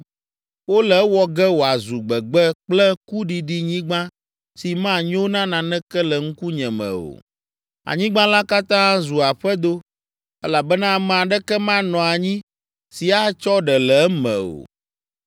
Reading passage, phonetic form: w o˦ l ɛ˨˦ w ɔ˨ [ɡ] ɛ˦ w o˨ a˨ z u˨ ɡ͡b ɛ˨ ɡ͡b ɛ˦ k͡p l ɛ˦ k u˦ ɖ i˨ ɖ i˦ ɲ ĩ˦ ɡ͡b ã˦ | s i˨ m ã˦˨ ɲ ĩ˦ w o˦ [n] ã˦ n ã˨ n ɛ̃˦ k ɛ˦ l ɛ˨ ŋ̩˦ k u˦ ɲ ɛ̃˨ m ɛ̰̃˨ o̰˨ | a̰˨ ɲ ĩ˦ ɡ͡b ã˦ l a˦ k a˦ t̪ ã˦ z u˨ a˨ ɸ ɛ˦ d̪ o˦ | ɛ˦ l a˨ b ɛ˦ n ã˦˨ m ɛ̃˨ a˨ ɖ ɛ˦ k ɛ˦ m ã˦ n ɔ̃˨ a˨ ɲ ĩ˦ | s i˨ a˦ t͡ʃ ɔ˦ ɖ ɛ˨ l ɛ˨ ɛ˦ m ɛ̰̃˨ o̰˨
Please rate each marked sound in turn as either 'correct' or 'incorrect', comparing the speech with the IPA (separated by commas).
correct, correct